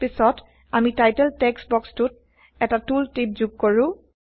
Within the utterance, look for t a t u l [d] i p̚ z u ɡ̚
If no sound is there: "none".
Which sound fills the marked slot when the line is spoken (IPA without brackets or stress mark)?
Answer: t